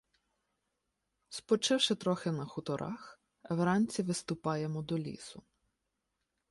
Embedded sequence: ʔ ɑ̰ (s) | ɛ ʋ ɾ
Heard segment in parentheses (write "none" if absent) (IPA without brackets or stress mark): x